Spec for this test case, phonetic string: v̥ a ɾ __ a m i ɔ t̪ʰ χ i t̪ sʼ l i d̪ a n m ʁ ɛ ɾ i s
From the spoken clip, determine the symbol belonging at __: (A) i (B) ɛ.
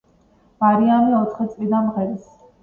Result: A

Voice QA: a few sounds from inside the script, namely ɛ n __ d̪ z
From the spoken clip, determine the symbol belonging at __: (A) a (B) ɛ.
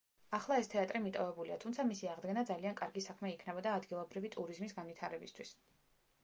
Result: A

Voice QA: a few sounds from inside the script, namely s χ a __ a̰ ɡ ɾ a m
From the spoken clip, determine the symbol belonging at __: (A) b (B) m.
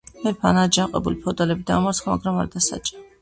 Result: B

